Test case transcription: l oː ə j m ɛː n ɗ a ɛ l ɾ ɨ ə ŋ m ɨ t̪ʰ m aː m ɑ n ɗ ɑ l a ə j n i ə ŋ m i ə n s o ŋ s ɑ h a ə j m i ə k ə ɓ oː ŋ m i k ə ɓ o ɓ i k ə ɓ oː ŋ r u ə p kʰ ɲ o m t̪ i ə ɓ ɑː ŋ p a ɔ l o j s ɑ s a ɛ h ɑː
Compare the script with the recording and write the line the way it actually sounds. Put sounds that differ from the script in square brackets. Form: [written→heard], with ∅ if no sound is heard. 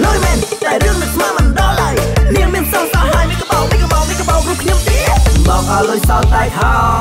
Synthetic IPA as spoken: l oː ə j m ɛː n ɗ a ɛ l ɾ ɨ ə ŋ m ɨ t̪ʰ m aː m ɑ n ɗ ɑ l a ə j n i ə ŋ m i ə n s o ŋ s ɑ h a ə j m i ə k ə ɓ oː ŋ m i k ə ɓ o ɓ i k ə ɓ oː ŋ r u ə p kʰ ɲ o m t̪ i ə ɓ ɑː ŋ [p→ʔ] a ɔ l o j s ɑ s a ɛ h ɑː